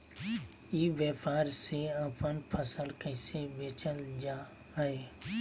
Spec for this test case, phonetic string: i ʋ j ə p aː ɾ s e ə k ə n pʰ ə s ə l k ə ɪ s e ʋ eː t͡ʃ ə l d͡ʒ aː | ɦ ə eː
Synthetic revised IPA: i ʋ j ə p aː ɾ s e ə p ə n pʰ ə s ə l k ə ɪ s e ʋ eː t͡ʃ ə l d͡ʒ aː | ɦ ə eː